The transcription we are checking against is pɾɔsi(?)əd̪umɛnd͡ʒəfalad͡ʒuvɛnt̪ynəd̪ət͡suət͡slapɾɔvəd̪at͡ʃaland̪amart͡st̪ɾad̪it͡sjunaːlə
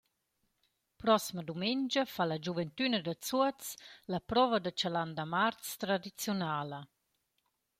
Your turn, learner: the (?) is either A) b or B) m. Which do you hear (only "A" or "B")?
B